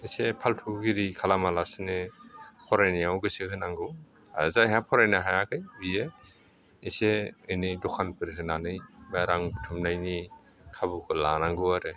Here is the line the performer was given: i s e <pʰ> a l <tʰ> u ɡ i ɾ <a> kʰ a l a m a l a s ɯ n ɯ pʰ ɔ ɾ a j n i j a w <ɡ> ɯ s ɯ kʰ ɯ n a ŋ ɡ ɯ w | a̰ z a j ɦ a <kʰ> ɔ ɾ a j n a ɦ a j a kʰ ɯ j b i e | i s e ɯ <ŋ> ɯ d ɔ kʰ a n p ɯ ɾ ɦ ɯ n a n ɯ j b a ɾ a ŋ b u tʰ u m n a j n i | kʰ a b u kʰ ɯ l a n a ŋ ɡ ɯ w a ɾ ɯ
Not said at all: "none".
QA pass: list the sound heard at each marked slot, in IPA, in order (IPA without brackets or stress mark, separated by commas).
pʰ, tʰ, i, ɡ, pʰ, n